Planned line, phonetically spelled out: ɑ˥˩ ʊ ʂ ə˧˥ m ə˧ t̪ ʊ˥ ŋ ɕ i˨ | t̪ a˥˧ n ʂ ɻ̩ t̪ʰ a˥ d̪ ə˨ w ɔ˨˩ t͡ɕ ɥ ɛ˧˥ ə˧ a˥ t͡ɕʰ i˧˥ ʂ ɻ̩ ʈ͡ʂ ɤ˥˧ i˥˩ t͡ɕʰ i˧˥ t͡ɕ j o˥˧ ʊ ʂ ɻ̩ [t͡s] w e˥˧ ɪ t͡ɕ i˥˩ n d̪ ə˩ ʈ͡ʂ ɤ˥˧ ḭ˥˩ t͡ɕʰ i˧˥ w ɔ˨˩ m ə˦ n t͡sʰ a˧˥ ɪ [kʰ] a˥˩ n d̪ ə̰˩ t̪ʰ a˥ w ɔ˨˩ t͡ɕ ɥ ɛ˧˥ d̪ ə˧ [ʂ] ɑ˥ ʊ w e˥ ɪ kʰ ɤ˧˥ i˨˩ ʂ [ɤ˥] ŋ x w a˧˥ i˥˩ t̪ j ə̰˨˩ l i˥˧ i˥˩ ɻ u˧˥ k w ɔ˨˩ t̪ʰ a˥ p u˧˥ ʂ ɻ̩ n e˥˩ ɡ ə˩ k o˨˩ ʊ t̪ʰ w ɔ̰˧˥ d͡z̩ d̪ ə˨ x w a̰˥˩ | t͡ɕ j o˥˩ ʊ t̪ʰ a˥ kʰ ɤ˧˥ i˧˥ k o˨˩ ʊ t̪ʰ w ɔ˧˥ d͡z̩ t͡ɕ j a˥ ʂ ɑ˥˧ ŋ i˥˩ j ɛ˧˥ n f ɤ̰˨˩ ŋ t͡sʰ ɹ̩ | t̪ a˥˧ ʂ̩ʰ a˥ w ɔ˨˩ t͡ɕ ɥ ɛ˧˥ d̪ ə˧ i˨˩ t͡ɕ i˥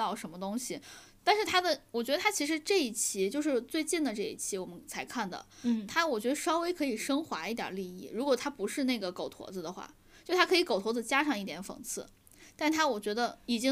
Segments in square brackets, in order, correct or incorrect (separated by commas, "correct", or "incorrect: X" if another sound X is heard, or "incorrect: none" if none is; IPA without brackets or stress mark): correct, correct, correct, correct